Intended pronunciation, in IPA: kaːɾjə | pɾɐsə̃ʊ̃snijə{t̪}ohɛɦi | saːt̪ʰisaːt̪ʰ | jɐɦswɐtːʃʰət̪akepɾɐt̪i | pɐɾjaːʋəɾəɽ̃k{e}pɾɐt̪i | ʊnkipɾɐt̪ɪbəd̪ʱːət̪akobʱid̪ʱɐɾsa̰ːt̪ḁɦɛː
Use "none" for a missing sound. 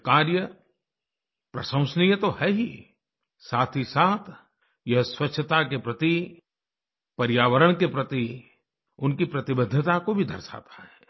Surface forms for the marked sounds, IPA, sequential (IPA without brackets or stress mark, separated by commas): t̪, e